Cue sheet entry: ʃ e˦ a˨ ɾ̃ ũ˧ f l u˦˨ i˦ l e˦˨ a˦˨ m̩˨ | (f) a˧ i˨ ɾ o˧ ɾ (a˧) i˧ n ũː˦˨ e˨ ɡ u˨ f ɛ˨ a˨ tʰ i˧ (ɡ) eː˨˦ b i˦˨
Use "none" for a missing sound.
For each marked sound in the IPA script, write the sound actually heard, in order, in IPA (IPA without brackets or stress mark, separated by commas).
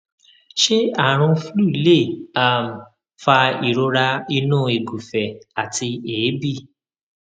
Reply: f, a˧, none